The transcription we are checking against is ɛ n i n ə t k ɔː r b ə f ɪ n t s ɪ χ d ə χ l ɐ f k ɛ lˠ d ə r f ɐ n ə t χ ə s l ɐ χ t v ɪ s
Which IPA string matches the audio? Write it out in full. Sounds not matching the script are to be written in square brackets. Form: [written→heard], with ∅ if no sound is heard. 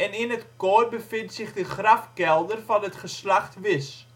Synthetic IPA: ɛ n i n ə t k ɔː r b ə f ɪ n t s ɪ χ d ə χ [l→r] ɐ f k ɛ lˠ d ə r f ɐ n ə t χ ə s l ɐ χ t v ɪ s